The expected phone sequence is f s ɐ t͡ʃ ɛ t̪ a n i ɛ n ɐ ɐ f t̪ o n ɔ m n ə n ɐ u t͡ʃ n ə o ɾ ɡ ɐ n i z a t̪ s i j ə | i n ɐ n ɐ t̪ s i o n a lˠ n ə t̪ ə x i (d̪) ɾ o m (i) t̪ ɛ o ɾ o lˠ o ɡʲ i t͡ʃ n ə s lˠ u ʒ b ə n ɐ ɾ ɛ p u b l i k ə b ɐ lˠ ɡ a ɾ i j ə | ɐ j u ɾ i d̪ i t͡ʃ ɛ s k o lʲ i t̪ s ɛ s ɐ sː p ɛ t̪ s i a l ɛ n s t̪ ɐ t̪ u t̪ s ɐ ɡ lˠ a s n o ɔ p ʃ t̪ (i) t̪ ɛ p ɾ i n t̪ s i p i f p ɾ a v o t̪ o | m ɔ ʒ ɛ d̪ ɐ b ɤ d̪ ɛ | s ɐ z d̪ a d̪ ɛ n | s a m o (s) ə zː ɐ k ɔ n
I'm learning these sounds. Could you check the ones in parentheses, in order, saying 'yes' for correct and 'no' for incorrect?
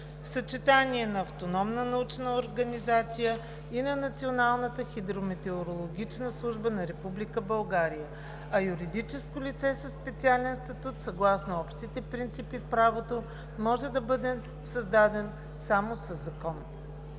yes, no, yes, yes

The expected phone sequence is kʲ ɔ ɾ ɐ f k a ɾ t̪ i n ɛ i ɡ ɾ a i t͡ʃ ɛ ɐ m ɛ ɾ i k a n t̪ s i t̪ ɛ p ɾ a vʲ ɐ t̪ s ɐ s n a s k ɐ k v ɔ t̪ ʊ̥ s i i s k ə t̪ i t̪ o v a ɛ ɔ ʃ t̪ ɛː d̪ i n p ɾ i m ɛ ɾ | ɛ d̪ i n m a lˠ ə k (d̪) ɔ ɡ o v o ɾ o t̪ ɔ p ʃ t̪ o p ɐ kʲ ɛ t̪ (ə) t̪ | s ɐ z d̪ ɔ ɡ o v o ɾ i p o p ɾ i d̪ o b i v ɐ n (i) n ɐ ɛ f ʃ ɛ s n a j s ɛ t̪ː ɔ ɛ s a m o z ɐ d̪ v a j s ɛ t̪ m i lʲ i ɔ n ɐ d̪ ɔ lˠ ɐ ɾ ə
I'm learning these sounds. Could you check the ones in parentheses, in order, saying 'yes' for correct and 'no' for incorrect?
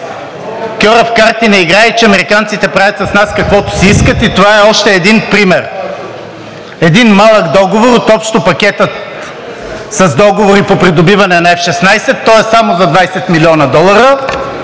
yes, yes, no

